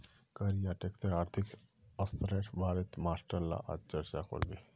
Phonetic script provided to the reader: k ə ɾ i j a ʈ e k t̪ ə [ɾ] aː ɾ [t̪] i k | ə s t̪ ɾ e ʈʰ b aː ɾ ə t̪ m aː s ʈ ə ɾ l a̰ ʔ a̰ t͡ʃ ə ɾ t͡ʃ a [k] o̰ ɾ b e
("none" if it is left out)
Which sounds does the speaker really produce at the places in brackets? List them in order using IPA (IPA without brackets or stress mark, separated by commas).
ɾ, t̪ʰ, k